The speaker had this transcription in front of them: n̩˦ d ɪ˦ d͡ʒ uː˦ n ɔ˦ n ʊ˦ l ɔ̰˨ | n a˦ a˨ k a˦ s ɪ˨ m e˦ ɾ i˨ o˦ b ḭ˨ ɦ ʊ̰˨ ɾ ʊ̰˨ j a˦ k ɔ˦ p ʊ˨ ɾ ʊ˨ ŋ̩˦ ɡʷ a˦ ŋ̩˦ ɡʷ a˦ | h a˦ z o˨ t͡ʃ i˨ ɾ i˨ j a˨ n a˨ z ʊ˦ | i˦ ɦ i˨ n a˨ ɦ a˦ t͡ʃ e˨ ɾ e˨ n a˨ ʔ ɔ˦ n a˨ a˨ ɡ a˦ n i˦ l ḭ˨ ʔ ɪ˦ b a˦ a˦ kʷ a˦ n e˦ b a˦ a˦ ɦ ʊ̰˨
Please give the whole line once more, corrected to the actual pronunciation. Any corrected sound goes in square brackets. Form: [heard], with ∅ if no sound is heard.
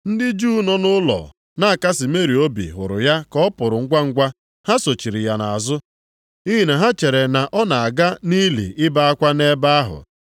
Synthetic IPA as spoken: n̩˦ d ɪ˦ d͡ʒ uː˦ n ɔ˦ n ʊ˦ l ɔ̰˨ | n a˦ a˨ k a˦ s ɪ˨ m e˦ ɾ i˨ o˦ b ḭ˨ ɦ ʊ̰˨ ɾ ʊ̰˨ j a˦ k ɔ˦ p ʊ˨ ɾ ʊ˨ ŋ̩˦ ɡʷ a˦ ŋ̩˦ ɡʷ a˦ | h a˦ [s] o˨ t͡ʃ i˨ ɾ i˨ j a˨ n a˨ z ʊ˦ | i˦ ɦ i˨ n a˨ ɦ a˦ t͡ʃ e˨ ɾ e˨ n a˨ ʔ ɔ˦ n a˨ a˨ ɡ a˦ n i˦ l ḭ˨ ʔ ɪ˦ b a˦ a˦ kʷ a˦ n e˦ b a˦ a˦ ɦ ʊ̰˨